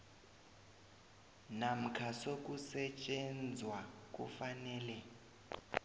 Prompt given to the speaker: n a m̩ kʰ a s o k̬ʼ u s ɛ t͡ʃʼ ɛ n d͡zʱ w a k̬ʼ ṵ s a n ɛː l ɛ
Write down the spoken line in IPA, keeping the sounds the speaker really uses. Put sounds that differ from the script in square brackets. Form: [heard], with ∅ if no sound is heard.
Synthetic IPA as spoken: n a m̩ kʰ a s o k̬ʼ u s ɛ t͡ʃʼ ɛ n d͡zʱ w a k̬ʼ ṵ [f] a n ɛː l ɛ

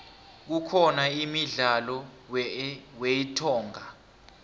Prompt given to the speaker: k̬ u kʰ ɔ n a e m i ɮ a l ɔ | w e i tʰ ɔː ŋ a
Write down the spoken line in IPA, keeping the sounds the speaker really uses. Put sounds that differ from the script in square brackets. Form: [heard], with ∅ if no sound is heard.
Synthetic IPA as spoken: k̬ u kʰ ɔ n a [i] m i ɮ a l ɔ | w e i tʰ ɔː ŋ a

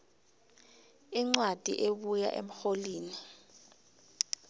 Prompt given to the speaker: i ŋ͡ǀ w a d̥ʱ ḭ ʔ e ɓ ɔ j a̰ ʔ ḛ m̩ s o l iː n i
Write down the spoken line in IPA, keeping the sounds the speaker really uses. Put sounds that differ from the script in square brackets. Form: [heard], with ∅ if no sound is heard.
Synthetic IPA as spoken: i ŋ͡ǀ w a d̥ʱ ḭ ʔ e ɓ [u] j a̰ ʔ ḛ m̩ [x] o l iː n i

